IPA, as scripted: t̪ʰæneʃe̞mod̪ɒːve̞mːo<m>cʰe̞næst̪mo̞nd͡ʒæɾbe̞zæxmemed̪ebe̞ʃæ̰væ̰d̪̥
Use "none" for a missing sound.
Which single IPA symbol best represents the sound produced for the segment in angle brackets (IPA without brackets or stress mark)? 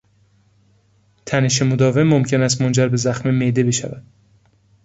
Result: m